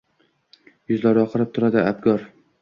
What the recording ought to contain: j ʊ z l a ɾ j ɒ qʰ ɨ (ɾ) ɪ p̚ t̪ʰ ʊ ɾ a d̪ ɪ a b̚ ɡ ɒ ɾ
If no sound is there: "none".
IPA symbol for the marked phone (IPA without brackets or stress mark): ɾ